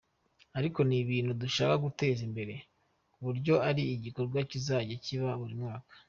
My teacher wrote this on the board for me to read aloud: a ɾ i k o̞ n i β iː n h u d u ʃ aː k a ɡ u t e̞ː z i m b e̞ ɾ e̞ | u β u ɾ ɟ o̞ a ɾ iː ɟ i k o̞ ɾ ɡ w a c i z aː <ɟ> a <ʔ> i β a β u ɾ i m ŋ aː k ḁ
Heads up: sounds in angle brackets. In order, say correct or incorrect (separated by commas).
correct, incorrect